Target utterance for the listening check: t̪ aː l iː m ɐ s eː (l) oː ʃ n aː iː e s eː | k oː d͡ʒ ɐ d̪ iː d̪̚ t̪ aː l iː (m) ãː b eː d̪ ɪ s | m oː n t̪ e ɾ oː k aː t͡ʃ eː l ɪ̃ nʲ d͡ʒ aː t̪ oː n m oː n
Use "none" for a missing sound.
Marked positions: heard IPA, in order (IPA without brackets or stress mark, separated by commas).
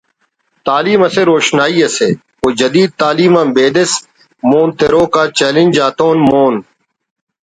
ɾ, m